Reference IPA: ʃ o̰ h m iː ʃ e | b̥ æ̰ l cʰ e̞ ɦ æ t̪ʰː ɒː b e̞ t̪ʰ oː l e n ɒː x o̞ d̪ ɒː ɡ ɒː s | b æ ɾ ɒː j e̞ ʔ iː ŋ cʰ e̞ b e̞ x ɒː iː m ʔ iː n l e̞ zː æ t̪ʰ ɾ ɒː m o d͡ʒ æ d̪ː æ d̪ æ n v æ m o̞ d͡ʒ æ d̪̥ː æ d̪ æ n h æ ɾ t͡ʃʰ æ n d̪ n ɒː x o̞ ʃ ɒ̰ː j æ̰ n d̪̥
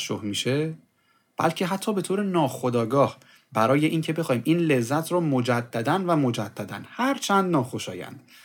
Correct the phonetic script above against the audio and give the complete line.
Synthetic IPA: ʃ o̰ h m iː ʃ e | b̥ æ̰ l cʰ e̞ ɦ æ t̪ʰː ɒː b e̞ t̪ʰ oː ɾ e n ɒː x o̞ d̪ ɒː ɡ ɒː h | b æ ɾ ɒː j e̞ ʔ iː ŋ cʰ e̞ b e̞ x ɒː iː m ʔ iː n l e̞ zː æ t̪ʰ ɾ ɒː m o d͡ʒ æ d̪ː æ d̪ æ n v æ m o̞ d͡ʒ æ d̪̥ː æ d̪ æ n h æ ɾ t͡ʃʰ æ n d̪ n ɒː x o̞ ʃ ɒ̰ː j æ̰ n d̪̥